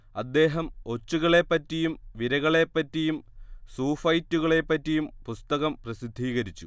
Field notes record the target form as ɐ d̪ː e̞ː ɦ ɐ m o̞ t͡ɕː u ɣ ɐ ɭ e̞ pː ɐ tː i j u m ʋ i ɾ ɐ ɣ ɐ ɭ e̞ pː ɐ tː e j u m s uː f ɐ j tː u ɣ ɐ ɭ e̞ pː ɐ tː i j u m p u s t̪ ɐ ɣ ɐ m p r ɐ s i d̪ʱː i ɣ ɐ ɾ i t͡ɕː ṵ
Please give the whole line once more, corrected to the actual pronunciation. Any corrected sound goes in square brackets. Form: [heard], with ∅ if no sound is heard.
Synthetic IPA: ɐ d̪ː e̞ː ɦ ɐ m o̞ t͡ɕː u ɣ ɐ ɭ e̞ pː ɐ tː i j u m ʋ i ɾ ɐ ɣ ɐ ɭ e̞ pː ɐ tː [i] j u m s uː f ɐ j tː u ɣ ɐ ɭ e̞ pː ɐ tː i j u m p u s t̪ ɐ ɣ ɐ m p r ɐ s i d̪ʱː [iː] ɣ ɐ ɾ i t͡ɕː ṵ